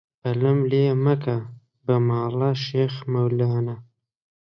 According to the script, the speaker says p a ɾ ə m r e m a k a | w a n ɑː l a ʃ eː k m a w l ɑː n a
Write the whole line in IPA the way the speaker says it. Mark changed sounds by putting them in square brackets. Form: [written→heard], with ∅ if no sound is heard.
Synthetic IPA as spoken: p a [ɾ→l] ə m [r→l] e m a k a | [w→b] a [n→m] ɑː l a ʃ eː [k→x] m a w l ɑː n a